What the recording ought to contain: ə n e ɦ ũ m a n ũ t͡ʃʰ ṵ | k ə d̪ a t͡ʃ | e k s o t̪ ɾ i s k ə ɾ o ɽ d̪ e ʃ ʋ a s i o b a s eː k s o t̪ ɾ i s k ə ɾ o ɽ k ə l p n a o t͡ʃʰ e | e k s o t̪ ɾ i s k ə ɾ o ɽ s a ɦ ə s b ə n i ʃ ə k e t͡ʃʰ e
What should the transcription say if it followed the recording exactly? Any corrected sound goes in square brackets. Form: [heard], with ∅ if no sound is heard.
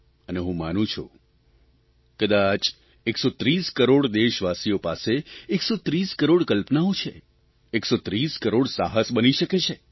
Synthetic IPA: ə n e ɦ ũ m a n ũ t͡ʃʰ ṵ | k ə d̪ a t͡ʃ | e k s o t̪ ɾ i s k ə ɾ o ɽ d̪ e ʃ ʋ a s i o [p] a s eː k s o t̪ ɾ i s k ə ɾ o ɽ k ə l p n a o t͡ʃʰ e | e k s o t̪ ɾ i s k ə ɾ o ɽ s a ɦ ə s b ə n i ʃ ə k e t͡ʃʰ e